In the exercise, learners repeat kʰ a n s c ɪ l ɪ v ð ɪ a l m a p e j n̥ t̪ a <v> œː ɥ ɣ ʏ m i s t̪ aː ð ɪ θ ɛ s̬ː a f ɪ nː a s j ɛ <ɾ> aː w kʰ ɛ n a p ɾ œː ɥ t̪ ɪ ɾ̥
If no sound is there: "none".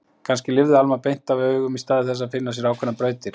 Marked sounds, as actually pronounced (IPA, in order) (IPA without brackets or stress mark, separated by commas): v, ɾ